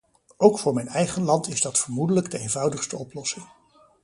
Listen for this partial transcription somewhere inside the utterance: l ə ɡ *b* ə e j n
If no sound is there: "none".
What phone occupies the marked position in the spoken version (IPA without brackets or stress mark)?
d